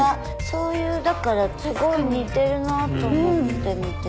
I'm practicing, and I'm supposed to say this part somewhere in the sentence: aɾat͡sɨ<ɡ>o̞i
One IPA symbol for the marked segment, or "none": ɡ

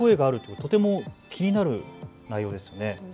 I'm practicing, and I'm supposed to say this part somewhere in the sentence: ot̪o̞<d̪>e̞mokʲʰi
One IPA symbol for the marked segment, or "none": t̪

